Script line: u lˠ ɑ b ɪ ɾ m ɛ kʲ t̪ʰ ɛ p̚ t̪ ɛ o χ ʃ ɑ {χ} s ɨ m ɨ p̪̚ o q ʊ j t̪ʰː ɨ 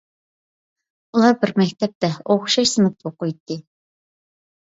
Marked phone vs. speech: incorrect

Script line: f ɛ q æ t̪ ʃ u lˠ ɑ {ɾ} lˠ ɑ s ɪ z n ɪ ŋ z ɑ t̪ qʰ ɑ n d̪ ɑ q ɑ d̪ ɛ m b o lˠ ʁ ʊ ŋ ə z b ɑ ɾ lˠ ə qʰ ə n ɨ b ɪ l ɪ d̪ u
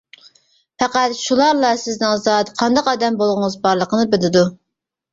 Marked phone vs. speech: correct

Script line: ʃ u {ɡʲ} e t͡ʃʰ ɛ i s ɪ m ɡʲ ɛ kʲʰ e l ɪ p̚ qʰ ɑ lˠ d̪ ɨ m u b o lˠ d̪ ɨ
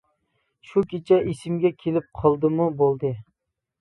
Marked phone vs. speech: incorrect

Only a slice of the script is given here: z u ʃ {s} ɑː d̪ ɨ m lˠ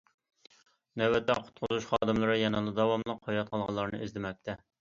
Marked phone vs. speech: incorrect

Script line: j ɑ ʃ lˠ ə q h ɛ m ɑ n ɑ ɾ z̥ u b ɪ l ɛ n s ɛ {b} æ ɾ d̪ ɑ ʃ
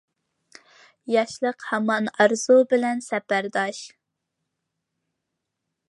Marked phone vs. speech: incorrect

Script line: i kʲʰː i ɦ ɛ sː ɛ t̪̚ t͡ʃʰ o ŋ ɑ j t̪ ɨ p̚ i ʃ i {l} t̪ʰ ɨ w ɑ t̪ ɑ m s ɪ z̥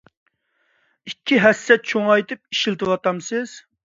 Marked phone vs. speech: correct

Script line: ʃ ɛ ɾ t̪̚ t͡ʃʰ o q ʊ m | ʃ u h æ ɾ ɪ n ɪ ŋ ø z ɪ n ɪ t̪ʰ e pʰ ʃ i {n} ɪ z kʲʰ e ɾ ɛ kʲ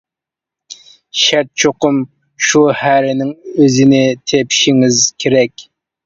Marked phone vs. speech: incorrect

